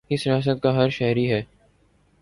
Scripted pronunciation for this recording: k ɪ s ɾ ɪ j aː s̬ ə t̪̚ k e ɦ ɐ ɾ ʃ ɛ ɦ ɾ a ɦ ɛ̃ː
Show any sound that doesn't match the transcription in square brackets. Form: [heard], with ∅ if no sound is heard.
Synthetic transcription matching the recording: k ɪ s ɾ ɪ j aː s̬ ə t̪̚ k [a] ɦ ɐ ɾ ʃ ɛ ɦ ɾ [i] ɦ [ɛː]